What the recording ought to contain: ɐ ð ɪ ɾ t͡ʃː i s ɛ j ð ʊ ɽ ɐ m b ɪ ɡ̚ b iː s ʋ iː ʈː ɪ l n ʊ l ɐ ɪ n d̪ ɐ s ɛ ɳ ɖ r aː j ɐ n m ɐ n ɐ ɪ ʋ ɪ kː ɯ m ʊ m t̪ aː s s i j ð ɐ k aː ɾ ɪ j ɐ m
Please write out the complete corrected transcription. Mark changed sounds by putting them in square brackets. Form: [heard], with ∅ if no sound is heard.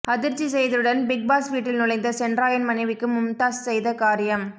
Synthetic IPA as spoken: ɐ ð ɪ ɾ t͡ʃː i s ɛ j ð [ɯ] ɽ ɐ [n] b ɪ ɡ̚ b [aː] s ʋ iː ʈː ɪ l n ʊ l ɐ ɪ n d̪ ɐ s ɛ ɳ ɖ r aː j ɐ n m ɐ n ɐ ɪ ʋ ɪ kː ɯ m ʊ m t̪ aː s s [ɛ] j ð ɐ k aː ɾ ɪ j ɐ m